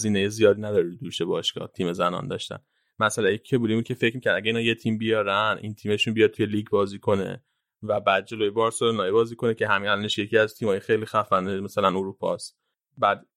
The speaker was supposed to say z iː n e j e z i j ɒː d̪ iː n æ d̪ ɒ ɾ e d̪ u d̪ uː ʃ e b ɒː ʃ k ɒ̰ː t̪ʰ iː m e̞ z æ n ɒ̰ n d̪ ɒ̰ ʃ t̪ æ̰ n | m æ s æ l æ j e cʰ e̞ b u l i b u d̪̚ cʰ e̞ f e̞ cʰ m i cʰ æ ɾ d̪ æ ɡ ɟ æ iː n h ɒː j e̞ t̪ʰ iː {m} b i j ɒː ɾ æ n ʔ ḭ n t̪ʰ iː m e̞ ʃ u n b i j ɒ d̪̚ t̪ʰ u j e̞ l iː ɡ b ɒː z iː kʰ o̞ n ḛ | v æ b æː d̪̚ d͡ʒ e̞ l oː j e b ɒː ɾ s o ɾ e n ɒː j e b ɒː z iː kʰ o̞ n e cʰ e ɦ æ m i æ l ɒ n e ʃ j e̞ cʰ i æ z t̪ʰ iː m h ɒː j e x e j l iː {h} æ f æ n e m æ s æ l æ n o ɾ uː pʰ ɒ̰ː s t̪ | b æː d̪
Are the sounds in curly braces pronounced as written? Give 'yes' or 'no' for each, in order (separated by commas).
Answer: yes, no